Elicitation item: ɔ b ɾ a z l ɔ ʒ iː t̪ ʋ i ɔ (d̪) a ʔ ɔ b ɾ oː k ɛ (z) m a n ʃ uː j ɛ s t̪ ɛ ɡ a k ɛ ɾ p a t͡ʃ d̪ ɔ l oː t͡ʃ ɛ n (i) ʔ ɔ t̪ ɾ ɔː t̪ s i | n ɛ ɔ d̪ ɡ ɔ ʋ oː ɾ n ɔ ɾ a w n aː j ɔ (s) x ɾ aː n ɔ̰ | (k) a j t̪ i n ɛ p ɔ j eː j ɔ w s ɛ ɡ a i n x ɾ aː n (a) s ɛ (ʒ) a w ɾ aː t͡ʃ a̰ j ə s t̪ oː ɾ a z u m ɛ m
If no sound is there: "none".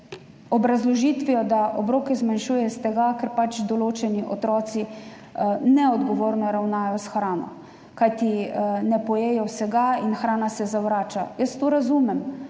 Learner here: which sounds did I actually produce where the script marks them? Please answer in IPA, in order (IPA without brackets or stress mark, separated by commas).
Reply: d̪, z, i, s, k, a, z